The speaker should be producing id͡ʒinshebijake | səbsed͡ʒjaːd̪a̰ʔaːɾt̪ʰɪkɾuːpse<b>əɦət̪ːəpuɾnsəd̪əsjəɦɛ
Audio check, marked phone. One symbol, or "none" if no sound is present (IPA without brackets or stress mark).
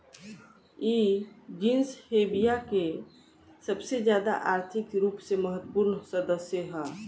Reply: m